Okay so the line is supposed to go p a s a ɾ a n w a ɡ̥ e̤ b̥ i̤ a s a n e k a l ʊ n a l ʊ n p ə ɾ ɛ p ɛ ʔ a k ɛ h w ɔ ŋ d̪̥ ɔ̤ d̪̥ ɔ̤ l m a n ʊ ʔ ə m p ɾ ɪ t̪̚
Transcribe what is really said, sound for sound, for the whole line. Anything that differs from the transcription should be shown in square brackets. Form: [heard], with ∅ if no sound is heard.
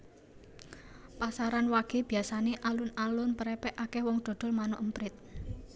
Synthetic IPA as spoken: p a s a ɾ a n w a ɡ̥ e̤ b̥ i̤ a s a n e [ʔ] a l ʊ n a l ʊ n p ə ɾ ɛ p ɛ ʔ a k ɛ h w ɔ ŋ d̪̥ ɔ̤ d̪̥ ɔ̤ l m a n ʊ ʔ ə m p ɾ ɪ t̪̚